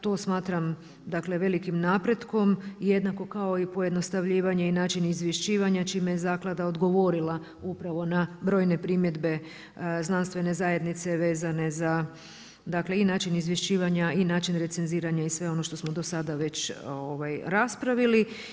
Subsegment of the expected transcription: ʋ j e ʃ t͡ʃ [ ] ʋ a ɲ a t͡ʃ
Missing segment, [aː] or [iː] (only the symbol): iː